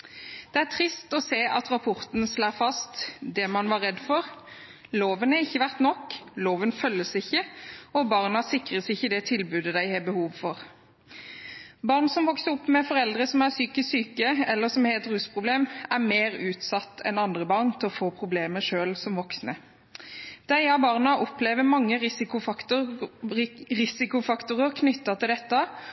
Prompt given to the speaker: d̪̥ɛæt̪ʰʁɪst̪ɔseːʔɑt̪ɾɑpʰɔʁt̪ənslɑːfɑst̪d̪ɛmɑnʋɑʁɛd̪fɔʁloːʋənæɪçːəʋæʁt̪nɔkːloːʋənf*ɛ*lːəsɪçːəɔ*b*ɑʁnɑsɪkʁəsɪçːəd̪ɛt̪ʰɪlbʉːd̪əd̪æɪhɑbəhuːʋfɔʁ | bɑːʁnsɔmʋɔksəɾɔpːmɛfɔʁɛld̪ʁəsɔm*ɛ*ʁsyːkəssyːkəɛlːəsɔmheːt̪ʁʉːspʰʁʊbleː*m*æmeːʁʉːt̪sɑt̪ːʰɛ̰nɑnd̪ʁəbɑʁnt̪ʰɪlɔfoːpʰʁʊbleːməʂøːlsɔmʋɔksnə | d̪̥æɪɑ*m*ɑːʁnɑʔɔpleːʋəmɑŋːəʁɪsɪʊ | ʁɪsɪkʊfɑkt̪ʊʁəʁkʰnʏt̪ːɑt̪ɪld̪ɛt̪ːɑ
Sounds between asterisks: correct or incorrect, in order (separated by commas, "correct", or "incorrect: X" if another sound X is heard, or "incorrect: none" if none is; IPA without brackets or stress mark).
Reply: incorrect: œ, correct, incorrect: æ, correct, incorrect: b